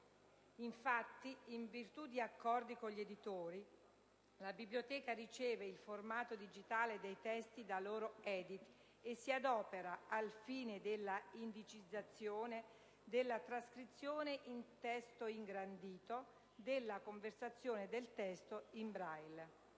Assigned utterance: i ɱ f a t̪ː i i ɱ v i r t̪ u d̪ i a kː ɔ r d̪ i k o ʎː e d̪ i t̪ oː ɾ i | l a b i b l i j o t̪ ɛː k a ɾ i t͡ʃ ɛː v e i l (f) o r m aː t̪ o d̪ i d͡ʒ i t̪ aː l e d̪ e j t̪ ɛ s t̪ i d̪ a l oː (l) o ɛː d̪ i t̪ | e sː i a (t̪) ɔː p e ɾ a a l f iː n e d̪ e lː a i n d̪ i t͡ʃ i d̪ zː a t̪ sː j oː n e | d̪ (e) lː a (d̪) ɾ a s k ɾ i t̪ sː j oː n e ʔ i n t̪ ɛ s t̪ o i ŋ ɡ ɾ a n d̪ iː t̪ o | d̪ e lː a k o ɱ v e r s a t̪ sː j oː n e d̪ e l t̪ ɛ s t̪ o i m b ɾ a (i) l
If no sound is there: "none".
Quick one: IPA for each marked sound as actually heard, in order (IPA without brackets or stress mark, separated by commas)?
f, ɾ, d̪, e, t̪, j